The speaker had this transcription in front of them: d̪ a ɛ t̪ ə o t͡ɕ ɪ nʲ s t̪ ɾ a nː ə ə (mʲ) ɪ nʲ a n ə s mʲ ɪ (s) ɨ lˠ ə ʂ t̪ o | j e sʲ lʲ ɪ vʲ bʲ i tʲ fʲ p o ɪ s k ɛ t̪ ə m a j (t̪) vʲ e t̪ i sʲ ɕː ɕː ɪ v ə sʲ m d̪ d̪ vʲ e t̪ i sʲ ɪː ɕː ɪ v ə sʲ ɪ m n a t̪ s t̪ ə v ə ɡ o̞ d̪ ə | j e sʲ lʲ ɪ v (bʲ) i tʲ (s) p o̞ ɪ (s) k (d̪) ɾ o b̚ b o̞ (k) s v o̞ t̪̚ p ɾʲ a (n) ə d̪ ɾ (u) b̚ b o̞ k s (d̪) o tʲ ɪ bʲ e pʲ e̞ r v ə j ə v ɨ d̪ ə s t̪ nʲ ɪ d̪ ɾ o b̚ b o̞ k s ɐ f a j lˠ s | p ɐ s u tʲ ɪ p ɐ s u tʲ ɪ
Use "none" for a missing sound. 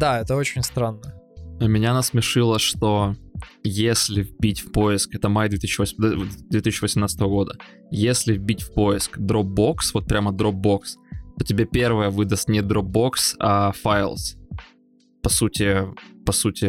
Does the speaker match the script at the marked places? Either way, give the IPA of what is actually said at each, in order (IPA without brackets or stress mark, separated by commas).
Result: mʲ, ʂ, d̪, bʲ, f, s, d̪, k, m, o, t̪